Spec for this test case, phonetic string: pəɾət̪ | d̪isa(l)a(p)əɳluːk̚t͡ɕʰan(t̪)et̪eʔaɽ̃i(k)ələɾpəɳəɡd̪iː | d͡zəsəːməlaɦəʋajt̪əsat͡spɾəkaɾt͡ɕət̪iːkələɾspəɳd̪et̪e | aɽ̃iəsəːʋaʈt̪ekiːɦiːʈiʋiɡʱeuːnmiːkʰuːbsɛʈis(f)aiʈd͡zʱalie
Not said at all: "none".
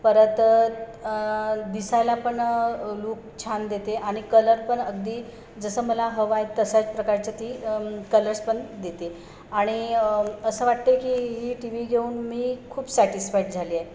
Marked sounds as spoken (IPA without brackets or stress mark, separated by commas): l, p, d̪, k, f